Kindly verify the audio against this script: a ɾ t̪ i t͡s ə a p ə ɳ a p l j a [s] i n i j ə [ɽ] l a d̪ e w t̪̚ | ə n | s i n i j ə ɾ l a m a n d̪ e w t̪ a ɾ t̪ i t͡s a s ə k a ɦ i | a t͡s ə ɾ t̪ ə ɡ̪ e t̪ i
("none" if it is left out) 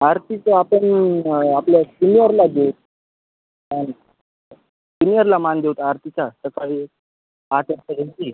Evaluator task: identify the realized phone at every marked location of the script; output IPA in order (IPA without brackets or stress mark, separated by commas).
s, ɾ